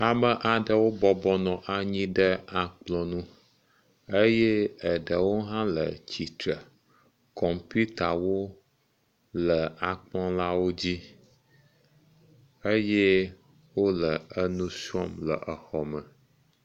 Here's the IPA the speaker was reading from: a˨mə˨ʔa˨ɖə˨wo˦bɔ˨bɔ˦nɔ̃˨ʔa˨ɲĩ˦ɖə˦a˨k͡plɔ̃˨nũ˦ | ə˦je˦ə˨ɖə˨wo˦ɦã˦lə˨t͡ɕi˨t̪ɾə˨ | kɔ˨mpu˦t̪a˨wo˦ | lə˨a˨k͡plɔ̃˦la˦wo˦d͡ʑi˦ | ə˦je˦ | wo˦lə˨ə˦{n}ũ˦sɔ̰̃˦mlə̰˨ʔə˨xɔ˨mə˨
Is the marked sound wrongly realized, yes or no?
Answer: no